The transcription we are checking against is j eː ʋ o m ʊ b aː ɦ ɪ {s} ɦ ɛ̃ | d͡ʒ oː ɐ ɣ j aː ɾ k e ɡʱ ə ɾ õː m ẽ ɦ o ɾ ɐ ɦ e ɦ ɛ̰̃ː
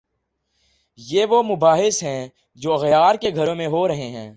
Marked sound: correct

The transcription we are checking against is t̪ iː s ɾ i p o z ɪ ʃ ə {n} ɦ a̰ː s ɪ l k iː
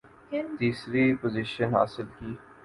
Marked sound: correct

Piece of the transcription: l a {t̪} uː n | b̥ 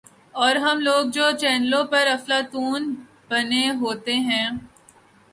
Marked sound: correct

